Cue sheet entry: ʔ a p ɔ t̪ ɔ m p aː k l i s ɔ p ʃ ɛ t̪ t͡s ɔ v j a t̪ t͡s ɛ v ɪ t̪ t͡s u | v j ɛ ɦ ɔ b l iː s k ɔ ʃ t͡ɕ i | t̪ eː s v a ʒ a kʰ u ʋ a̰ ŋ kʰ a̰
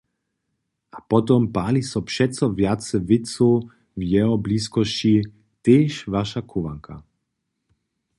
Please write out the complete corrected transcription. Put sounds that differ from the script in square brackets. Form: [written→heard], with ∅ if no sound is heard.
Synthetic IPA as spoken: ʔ a p ɔ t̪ ɔ m p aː [k→∅] l i s ɔ p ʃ ɛ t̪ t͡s ɔ v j a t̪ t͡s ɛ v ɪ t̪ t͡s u | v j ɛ ɦ ɔ b l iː s k ɔ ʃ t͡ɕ i | t̪ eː [s→ʃ] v a [ʒ→ʃ] a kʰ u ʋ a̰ ŋ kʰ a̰